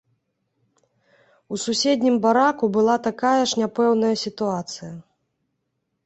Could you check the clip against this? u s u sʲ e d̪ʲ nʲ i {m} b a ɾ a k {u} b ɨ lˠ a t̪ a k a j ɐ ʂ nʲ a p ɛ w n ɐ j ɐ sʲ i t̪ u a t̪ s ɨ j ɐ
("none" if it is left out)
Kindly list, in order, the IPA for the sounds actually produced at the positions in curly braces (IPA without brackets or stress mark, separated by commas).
m, u